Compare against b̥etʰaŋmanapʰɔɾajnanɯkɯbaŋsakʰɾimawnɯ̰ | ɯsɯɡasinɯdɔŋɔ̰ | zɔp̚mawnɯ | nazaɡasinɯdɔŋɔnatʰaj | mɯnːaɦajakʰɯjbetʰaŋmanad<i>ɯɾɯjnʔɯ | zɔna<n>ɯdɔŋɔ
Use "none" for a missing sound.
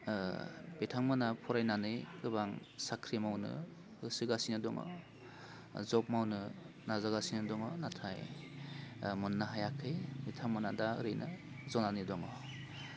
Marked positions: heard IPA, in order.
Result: a, n

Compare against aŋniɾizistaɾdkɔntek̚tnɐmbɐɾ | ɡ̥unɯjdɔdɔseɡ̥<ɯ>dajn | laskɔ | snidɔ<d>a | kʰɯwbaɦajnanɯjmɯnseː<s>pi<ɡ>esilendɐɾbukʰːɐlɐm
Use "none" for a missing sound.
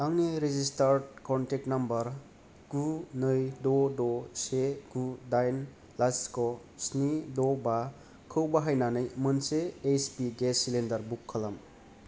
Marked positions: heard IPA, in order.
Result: u, b, s, ɡ

